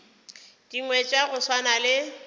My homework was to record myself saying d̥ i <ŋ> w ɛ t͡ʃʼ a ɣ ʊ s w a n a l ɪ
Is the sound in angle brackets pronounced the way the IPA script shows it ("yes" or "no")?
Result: yes